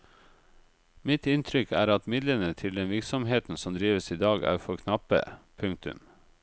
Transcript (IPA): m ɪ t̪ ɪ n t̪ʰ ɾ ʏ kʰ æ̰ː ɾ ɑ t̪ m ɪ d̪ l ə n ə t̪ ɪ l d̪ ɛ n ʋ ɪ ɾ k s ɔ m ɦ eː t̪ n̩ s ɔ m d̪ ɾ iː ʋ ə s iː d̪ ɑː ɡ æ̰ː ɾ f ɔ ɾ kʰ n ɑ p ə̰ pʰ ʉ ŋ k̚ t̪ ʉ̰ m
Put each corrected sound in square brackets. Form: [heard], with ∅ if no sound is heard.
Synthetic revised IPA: m ɪ t̪ ɪ n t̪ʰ ɾ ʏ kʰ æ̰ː ɾ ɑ t̪ m ɪ d̪ l ə n ə [t̪ʰ] ɪ l d̪ ɛ n ʋ ɪ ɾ k s ɔ m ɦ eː t̪ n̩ s ɔ m d̪ ɾ iː ʋ ə s iː d̪ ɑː ɡ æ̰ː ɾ f ɔ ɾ kʰ n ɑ p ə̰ pʰ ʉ ŋ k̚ t̪ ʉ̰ m